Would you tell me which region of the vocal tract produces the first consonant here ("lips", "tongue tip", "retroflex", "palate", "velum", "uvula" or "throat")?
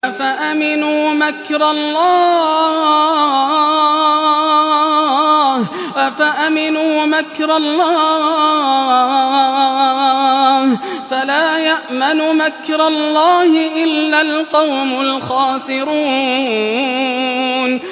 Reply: lips